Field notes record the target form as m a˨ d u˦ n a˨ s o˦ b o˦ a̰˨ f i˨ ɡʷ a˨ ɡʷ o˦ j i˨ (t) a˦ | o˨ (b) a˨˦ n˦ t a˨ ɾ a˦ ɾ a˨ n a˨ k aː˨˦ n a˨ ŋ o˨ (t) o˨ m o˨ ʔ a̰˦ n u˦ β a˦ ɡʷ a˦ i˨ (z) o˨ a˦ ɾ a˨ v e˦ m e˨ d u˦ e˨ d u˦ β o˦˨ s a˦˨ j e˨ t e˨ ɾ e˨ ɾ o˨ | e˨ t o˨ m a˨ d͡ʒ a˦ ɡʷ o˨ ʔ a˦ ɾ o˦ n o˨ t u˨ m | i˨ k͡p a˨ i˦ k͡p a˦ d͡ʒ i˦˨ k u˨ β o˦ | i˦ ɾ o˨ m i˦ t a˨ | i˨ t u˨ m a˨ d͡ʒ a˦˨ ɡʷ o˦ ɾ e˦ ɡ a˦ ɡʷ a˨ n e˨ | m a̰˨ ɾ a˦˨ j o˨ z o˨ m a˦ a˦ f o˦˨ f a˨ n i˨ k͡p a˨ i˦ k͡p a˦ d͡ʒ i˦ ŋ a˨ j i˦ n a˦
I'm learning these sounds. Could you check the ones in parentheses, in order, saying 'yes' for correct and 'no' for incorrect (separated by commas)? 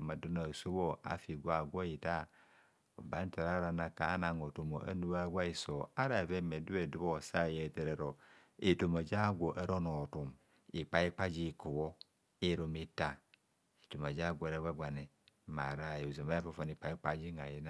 yes, yes, yes, no